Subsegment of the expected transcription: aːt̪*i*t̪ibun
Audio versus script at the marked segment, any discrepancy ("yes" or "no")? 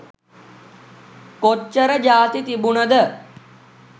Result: no